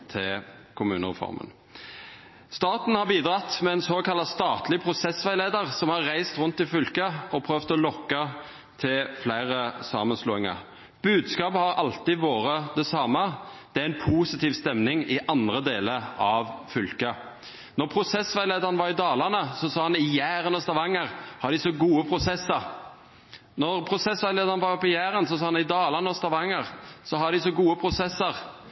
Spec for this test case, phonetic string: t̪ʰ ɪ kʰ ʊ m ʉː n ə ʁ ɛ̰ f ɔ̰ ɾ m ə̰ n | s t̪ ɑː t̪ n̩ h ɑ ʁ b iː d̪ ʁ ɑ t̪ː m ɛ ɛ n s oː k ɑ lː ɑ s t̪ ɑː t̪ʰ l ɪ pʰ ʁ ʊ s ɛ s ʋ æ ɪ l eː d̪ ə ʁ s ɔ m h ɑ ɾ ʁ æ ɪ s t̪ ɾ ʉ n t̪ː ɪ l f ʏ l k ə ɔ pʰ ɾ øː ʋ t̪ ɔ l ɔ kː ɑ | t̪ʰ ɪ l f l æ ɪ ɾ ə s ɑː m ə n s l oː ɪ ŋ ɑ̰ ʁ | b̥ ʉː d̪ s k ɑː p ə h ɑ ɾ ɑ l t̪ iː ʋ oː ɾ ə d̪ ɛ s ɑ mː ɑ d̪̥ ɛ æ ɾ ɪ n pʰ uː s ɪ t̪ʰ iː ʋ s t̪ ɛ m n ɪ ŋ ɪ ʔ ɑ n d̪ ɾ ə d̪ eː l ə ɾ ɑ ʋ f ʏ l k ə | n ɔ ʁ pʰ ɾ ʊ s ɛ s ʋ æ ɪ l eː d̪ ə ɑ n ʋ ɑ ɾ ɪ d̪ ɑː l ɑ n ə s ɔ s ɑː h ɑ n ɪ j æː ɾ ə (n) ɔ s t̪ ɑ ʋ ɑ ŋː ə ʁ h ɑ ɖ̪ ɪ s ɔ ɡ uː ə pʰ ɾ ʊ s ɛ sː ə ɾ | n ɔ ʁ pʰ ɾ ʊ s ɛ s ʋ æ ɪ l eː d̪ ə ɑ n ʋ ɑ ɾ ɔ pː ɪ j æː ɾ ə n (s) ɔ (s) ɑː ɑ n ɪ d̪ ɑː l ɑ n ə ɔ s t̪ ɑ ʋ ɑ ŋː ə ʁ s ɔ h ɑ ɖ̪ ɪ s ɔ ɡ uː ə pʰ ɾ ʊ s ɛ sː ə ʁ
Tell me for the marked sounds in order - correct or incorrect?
correct, correct, correct

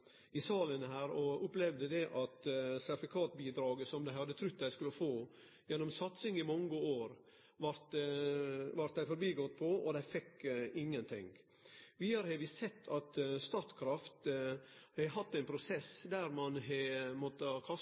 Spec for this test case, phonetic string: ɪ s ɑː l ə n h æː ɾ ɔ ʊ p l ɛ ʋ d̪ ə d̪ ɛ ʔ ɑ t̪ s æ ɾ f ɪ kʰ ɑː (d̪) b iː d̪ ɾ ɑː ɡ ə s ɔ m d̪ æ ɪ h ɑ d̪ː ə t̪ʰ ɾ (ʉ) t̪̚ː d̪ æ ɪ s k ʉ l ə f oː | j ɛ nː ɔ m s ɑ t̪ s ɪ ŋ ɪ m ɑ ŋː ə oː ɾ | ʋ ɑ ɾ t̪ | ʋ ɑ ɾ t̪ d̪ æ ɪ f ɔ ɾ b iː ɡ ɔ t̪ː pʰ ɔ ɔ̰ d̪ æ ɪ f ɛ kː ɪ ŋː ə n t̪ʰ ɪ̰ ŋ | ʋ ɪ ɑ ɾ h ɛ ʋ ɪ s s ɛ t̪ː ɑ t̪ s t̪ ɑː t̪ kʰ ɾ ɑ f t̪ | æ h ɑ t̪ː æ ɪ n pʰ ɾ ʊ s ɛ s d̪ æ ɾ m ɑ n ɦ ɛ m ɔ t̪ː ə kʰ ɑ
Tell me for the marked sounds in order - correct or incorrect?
incorrect: t̪, correct

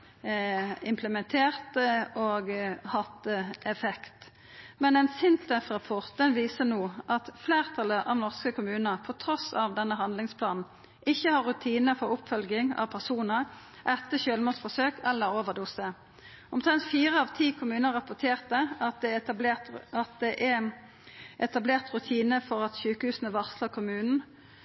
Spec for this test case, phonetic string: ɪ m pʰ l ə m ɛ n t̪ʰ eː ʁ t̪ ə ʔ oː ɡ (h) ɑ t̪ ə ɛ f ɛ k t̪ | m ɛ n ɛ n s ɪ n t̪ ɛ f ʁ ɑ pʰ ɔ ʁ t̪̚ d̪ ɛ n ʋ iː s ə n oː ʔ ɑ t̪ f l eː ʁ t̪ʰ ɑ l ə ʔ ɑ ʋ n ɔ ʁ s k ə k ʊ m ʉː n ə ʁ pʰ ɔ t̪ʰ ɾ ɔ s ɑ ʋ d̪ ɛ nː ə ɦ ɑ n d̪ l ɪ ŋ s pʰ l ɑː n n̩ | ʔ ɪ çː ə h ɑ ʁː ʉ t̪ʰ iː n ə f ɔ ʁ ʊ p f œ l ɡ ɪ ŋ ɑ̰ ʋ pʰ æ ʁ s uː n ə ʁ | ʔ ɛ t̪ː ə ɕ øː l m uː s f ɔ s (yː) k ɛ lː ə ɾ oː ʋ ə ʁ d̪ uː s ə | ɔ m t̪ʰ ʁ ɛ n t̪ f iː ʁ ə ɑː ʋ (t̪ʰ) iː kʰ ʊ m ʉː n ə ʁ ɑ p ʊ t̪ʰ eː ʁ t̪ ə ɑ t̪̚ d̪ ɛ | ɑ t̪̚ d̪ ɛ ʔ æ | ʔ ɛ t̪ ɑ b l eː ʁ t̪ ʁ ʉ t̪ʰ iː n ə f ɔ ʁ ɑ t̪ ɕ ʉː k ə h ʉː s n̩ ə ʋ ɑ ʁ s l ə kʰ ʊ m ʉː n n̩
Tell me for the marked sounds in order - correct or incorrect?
correct, incorrect: øː, correct

